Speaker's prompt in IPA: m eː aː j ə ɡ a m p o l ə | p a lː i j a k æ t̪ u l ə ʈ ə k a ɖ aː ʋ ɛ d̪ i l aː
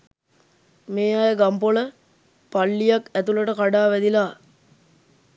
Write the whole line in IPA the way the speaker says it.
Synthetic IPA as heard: m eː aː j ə ɡ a m p o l ə | p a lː i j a k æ t̪ u l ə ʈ ə k a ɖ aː ʋ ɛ d̪ i l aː